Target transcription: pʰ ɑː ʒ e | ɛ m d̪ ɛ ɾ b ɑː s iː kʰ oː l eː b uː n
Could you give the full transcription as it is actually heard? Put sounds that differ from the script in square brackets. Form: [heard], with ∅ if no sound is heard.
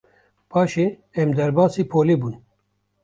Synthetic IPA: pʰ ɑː [ʃ] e | ɛ m d̪ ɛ ɾ b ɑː s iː [pʰ] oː l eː b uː n

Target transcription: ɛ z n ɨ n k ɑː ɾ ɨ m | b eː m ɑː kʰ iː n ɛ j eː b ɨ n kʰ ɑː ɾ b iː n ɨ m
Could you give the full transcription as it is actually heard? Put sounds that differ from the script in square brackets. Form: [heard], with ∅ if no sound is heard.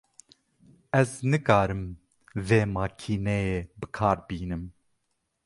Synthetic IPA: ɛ z n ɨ [∅] k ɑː ɾ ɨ m | [v] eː m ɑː kʰ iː n ɛ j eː b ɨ [∅] kʰ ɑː ɾ b iː n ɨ m

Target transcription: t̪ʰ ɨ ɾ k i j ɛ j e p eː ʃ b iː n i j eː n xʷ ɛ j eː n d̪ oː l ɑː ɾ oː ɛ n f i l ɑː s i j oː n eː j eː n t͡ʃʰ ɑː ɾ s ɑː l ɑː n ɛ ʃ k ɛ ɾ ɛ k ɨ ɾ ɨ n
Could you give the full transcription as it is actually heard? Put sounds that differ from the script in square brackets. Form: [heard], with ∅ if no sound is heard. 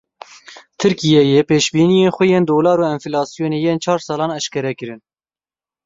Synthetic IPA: t̪ʰ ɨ ɾ k i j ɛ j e p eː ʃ b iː n i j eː n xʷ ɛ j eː n d̪ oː l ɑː ɾ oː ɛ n f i l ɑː s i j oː n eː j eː n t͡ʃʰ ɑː ɾ s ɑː l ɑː n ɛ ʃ k ɛ ɾ ɛ k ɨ ɾ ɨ n

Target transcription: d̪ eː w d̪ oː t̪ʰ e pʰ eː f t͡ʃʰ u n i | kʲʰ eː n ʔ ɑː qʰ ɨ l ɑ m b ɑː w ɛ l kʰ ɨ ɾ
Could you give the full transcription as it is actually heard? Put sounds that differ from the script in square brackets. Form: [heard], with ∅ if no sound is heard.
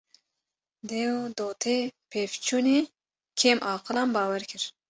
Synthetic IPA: d̪ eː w d̪ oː t̪ʰ e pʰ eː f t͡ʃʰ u n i | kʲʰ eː [m] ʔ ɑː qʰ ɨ l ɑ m b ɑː w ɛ [ɾ] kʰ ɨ ɾ

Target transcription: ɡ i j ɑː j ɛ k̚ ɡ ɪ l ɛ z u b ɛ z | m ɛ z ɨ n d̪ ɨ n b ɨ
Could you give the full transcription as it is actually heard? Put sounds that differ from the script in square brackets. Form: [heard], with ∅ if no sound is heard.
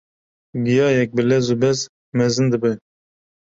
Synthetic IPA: ɡ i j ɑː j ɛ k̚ [b] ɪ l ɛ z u b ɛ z | m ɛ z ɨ n d̪ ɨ [∅] b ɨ

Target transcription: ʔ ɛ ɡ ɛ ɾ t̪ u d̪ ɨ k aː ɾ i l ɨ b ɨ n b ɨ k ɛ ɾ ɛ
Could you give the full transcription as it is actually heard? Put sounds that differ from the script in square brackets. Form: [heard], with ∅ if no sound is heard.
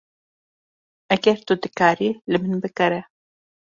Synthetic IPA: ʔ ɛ ɡ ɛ ɾ t̪ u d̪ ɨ k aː ɾ i l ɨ [m] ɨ n b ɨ k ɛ ɾ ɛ

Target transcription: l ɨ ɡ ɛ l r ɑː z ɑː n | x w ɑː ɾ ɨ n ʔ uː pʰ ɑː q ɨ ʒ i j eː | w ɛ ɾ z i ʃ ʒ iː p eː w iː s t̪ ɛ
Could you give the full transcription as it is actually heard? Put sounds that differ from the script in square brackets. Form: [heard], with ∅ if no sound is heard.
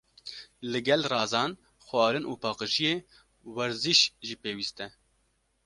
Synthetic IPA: l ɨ ɡ ɛ l r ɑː z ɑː n | x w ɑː ɾ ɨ n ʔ uː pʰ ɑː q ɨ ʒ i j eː | w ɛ ɾ z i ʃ ʒ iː p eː w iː s t̪ ɛ

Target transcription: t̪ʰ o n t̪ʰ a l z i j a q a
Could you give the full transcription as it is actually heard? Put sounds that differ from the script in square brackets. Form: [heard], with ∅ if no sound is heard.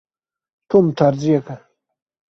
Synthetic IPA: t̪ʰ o [m] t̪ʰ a [ɾ] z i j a [k] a

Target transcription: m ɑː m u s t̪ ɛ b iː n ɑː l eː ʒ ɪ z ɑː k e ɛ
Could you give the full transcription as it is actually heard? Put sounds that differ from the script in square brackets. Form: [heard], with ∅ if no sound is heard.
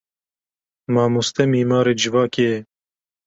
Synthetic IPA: m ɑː m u s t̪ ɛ [m] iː [m] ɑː [ɾ] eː [d͡ʒ] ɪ [v] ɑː k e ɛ

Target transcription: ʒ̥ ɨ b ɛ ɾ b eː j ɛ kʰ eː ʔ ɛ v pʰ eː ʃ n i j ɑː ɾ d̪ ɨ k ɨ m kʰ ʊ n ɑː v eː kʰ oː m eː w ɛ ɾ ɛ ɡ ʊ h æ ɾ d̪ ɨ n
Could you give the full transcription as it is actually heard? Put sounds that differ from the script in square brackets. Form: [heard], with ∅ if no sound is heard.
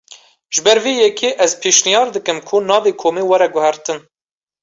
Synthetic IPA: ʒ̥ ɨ b ɛ ɾ [v] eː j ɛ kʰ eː ʔ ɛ [z] pʰ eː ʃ n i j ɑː ɾ d̪ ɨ k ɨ m kʰ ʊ n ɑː v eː kʰ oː m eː w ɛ ɾ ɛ ɡ ʊ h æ ɾ [t̪] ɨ n

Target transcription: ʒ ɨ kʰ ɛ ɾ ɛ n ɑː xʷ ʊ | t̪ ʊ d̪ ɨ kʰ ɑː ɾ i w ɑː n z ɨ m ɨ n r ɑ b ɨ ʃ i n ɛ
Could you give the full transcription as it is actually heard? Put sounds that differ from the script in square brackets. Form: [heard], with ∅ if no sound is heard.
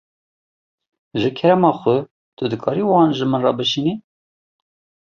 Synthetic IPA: ʒ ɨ kʰ ɛ ɾ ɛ [m] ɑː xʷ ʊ | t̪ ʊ d̪ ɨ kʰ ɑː ɾ i w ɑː n [ʒ] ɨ m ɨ n r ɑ b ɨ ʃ i n [i]

